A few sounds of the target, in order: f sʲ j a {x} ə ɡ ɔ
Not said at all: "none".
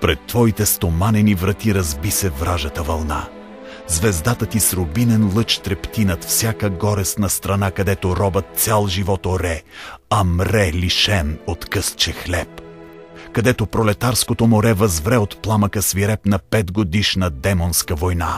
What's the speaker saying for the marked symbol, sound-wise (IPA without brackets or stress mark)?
k